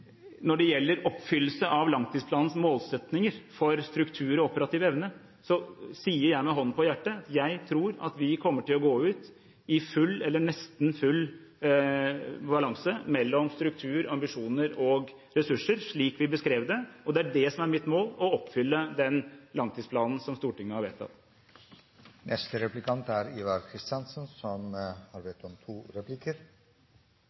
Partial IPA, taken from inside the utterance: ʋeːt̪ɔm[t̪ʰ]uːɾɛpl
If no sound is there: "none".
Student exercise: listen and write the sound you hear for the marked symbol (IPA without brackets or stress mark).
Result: t̪ʰ